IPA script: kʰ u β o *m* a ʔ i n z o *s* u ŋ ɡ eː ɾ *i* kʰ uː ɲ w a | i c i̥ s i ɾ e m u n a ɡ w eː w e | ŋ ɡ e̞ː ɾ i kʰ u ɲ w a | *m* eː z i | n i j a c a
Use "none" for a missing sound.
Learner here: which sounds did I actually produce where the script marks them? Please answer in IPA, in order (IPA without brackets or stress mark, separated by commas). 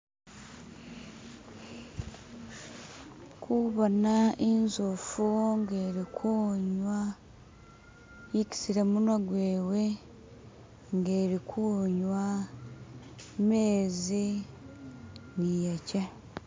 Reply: n, f, i, m